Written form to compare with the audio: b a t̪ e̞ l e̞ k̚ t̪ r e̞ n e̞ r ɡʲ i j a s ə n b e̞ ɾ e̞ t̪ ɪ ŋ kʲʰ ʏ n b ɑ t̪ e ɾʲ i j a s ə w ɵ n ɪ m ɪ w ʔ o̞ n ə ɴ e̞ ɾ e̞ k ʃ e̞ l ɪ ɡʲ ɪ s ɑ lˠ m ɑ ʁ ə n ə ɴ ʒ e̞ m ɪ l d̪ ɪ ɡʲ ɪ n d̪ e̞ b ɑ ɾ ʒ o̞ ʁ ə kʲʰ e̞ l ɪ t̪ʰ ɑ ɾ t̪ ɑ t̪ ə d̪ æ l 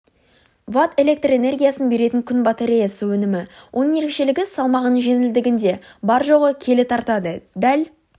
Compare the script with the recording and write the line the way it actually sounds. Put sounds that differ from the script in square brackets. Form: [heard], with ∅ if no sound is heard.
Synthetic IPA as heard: [v] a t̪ e̞ l e̞ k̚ t̪ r e̞ n e̞ r ɡʲ i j a s ə n b e̞ ɾ e̞ t̪ ɪ ŋ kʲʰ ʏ n b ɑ t̪ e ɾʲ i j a s ə w ɵ n ɪ m ɪ w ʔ o̞ n ə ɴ e̞ ɾ e̞ k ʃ e̞ l ɪ ɡʲ ɪ s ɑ lˠ m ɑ ʁ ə n ə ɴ ʒ e̞ [n] ɪ l d̪ ɪ ɡʲ ɪ n d̪ e̞ b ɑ ɾ ʒ o̞ ʁ ə kʲʰ e̞ l ɪ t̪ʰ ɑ ɾ t̪ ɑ [d̪] ə d̪ æ l